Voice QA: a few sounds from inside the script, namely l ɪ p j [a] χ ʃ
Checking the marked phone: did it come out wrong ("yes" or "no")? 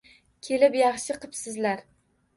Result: yes